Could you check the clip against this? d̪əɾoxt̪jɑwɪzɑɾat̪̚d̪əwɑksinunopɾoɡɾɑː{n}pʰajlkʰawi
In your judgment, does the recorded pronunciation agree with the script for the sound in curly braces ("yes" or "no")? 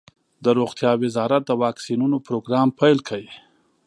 no